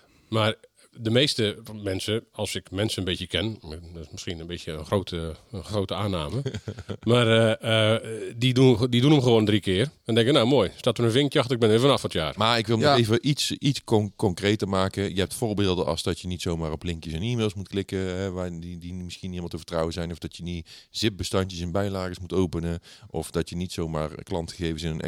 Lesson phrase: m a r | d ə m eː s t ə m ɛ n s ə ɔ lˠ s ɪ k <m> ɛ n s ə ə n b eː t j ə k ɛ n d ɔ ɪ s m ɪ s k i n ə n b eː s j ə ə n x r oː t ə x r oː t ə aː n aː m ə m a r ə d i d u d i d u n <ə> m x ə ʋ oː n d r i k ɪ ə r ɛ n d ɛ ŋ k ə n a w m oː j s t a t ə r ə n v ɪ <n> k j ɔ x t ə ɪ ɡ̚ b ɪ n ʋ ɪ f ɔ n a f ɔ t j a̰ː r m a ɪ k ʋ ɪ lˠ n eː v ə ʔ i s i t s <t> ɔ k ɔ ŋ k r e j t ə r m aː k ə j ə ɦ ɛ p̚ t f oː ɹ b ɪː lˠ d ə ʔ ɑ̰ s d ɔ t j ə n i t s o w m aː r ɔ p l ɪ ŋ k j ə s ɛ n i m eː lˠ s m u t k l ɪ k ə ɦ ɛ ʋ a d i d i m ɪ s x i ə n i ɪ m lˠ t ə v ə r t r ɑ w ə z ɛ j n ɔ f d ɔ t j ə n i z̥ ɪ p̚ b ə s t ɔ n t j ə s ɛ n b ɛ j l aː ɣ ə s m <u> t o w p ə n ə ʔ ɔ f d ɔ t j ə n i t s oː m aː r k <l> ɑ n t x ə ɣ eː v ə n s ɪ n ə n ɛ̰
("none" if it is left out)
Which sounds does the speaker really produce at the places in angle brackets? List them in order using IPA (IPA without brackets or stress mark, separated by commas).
m, ə, ŋ, k, u, l